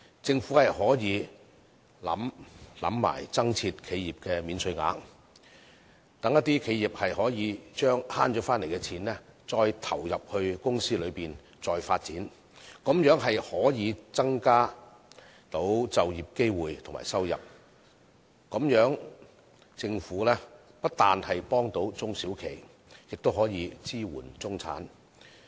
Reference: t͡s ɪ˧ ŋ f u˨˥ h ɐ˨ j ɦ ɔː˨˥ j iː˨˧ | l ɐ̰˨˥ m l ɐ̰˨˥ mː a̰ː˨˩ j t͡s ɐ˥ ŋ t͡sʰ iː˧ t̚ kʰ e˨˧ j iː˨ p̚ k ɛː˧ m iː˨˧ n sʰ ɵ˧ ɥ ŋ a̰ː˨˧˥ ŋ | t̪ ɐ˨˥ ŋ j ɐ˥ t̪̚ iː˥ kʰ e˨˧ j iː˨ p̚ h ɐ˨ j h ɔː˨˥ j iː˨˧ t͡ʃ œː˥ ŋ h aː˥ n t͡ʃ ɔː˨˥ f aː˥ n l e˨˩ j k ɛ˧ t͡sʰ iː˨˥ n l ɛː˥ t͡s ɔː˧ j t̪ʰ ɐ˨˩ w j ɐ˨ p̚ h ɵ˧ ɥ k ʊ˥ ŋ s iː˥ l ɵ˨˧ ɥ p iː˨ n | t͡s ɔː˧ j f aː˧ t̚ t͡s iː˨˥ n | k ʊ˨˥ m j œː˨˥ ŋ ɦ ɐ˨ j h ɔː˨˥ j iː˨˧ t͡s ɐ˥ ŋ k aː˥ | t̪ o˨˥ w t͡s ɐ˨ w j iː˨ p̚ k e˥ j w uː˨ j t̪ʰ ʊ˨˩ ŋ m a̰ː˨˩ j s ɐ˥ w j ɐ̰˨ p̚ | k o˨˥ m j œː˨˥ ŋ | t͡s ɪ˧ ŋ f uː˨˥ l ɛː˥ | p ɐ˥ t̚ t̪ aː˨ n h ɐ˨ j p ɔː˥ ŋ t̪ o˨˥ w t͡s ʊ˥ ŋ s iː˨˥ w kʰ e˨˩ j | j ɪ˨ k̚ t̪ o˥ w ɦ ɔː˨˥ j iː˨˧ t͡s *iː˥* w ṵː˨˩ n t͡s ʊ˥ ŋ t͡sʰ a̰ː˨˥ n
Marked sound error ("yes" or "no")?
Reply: no